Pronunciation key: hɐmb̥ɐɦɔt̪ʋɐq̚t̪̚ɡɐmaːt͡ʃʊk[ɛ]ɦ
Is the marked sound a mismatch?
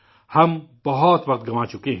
yes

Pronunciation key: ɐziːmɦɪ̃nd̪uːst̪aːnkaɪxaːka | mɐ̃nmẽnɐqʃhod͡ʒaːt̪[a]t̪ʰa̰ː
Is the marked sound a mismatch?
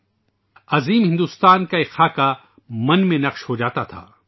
no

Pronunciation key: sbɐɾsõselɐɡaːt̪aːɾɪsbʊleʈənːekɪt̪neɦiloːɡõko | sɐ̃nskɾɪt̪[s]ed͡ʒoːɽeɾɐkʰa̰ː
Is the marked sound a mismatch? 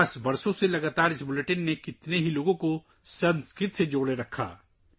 no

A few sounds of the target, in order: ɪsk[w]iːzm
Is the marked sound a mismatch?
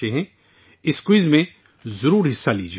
no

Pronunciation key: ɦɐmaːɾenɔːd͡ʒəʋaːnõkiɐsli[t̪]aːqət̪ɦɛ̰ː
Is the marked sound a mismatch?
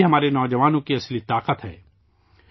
no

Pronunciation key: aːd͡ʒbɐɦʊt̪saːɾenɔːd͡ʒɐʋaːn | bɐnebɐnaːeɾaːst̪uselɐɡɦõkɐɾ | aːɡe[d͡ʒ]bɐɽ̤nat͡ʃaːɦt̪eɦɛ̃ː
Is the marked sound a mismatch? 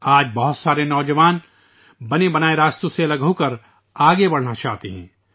yes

